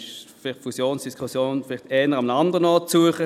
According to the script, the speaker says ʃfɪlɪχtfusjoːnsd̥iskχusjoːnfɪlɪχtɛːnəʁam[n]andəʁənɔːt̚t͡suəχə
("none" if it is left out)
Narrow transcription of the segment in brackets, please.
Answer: n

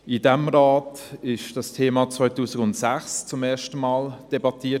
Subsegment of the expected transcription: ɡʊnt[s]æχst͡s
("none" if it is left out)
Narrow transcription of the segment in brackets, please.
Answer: s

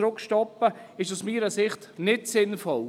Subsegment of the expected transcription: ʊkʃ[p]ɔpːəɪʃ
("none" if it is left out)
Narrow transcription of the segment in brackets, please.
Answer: t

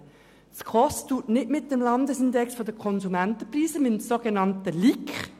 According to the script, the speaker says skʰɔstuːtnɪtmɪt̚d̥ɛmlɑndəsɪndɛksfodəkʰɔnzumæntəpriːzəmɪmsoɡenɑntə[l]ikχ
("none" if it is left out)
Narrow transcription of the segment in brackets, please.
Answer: l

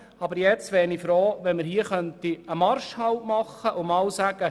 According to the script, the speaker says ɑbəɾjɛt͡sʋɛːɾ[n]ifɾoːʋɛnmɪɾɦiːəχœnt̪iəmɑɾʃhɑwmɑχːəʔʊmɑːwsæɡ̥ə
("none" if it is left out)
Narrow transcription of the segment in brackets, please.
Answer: n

